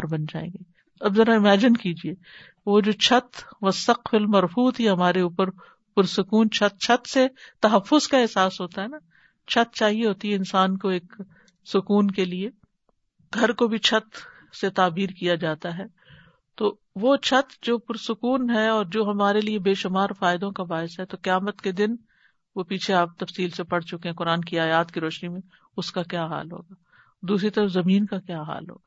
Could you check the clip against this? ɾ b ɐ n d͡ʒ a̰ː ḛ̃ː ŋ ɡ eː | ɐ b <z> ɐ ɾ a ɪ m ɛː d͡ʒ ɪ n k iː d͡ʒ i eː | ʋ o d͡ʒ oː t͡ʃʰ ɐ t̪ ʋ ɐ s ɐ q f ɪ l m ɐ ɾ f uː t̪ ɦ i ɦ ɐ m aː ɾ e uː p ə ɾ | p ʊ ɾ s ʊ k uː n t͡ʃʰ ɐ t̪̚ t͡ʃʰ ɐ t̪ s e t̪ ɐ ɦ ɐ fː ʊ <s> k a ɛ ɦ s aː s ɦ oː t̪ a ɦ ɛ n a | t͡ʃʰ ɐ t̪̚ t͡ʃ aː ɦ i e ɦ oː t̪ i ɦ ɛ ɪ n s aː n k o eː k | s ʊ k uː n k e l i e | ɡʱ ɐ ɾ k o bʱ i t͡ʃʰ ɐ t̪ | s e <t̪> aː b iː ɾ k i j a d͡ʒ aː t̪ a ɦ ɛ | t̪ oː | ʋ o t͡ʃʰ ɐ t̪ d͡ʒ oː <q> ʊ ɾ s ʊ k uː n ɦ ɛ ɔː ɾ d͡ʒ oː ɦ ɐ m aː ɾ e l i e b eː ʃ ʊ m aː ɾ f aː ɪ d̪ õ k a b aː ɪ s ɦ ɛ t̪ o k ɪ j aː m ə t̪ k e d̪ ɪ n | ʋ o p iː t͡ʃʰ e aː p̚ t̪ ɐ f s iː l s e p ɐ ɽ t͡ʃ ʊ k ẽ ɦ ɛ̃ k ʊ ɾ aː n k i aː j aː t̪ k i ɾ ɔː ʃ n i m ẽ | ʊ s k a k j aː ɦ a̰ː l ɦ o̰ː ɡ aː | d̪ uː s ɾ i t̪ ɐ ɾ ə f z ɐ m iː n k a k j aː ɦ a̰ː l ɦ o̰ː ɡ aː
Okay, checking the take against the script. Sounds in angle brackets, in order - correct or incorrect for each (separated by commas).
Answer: correct, incorrect, correct, incorrect